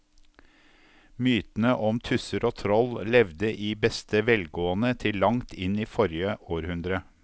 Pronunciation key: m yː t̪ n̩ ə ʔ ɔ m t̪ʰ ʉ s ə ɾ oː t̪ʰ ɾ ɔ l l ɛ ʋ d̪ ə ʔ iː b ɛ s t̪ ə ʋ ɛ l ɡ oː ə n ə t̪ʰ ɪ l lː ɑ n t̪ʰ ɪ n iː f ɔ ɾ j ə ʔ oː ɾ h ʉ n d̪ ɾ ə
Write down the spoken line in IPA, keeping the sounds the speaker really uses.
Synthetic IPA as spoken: m yː t̪ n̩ ə ʔ ɔ m t̪ʰ ʉ s ə ɾ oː t̪ʰ ɾ ɔ l l ɛ ʋ d̪ ə ʔ iː b ɛ s t̪ ə ʋ ɛ l ɡ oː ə n ə t̪ʰ ɪ l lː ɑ ŋ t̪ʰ ɪ n iː f ɔ ɾ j ə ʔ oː ɾ h ʉ n d̪ ɾ ə